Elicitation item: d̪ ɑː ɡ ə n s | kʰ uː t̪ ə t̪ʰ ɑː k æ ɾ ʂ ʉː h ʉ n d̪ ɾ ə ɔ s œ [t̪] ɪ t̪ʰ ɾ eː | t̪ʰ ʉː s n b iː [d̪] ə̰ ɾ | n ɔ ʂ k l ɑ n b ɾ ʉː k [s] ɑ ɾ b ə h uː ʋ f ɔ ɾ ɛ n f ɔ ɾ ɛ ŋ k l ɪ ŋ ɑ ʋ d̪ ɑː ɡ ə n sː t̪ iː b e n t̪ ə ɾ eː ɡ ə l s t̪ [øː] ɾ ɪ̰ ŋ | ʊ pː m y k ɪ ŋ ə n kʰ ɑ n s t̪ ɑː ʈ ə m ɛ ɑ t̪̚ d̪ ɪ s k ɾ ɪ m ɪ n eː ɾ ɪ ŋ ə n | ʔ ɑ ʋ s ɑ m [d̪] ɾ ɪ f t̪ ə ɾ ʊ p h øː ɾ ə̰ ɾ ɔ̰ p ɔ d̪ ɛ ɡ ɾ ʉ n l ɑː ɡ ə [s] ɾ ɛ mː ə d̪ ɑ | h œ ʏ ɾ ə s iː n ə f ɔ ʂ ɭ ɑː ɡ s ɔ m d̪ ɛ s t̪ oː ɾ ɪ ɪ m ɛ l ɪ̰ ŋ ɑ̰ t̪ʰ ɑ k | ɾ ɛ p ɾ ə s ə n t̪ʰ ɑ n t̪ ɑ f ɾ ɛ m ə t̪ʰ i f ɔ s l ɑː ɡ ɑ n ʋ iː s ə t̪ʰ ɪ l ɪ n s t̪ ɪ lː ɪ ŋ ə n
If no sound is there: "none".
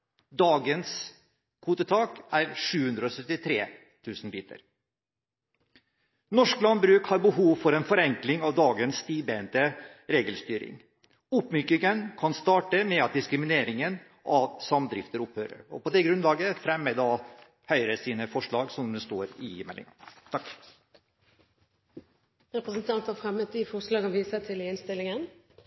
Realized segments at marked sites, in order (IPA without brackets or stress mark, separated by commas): t̪, t̪, h, yː, d̪, f